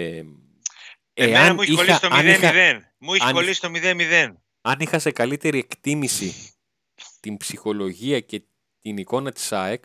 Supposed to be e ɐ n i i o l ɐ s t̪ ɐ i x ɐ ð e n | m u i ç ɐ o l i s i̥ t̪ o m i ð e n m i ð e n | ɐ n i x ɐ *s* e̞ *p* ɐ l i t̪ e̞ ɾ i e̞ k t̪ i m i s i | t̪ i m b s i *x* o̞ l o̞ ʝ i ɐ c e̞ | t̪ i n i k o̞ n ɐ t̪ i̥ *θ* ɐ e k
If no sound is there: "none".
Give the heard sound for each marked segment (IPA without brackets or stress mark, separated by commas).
s, k, x, s